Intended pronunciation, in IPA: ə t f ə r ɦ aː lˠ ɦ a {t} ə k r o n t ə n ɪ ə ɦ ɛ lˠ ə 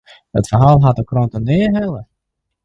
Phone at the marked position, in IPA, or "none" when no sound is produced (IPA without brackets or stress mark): t